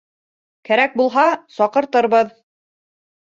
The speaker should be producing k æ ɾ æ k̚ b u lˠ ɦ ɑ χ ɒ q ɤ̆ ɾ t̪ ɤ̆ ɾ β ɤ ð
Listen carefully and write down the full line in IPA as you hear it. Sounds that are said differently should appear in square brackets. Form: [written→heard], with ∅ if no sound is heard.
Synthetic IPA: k æ ɾ æ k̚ b u lˠ ɦ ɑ [χ→s] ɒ q ɤ̆ ɾ t̪ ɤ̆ ɾ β ɤ ð